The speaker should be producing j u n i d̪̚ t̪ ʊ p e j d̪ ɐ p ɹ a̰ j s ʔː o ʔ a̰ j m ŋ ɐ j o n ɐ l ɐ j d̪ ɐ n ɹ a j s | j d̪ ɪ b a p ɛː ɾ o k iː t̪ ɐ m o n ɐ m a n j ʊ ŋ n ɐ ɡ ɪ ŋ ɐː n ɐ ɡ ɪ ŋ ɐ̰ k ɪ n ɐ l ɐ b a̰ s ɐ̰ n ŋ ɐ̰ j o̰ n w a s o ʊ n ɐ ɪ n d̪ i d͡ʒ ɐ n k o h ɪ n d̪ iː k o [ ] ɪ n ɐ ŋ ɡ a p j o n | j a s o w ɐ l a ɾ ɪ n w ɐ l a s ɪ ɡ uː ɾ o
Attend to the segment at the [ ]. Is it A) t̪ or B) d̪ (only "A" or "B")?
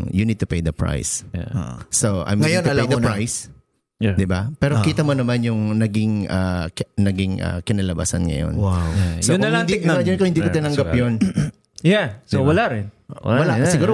A